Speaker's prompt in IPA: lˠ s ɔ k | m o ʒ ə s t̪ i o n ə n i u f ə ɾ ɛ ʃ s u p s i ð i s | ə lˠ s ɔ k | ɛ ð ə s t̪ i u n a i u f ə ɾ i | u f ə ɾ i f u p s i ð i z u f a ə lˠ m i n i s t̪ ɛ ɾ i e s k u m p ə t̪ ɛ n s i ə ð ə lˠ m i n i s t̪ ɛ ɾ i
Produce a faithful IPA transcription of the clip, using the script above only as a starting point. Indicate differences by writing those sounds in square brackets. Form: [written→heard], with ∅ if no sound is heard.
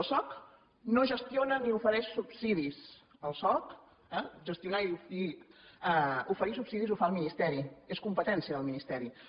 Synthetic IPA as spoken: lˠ s ɔ k | [m→n] o ʒ ə s t̪ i o n ə n i u f ə ɾ ɛ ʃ s u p s i ð i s | ə lˠ s ɔ k | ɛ [ð→ʒ] ə s t̪ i u n a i u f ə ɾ i | u f ə ɾ i [f→s] u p s i ð i z u f a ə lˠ m i n i s t̪ ɛ ɾ i e s k u m p ə t̪ ɛ n s i ə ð ə lˠ m i n i s t̪ ɛ ɾ i